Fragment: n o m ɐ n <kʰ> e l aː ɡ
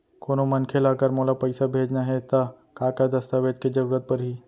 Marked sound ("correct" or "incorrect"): correct